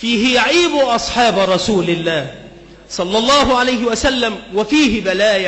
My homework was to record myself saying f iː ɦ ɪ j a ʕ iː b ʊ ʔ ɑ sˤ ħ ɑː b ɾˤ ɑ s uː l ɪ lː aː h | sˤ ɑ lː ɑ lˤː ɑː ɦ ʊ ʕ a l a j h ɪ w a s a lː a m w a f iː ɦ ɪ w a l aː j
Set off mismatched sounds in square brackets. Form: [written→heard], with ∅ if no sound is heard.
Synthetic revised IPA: f iː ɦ ɪ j a ʕ iː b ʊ ʔ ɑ sˤ ħ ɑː b ɾˤ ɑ s uː l ɪ lː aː h | sˤ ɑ lː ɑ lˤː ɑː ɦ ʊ ʕ a l a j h ɪ w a s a lː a m w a f iː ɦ ɪ [w→b] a l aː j